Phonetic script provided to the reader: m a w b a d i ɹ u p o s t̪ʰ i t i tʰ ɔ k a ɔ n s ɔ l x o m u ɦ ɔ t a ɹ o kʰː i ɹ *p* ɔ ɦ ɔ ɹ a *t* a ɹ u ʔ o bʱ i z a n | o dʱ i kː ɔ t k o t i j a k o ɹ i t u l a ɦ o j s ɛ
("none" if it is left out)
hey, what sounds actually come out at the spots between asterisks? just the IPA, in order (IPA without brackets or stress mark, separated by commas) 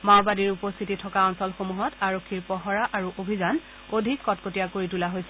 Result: p, ʔ